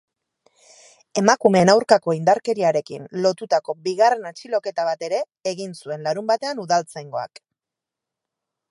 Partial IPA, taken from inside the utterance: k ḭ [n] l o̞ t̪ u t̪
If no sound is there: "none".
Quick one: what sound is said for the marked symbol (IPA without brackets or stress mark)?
n